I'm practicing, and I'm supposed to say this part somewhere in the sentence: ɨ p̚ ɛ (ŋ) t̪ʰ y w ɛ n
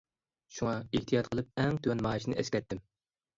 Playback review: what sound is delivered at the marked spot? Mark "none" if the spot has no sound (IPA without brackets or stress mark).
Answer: ŋ